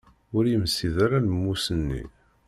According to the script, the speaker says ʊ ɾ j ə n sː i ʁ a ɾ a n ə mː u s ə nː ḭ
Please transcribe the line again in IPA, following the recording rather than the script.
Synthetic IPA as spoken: ʊ ɾ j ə m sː i ð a ɾ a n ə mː u s ə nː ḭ